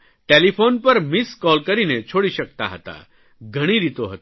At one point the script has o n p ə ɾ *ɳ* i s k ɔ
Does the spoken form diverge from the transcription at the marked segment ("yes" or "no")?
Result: yes